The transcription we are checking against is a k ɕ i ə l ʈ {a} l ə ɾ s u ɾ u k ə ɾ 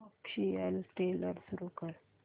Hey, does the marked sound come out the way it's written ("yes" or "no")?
no